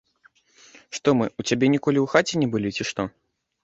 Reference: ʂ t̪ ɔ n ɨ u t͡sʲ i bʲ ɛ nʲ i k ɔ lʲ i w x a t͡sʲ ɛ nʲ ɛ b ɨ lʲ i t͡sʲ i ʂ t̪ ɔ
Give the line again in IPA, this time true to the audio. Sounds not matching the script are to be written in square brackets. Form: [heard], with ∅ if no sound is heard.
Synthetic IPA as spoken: ʂ t̪ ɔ [m] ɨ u t͡sʲ [a] bʲ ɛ nʲ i k ɔ lʲ i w x a t͡sʲ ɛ nʲ ɛ b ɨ lʲ i t͡sʲ i ʂ t̪ ɔ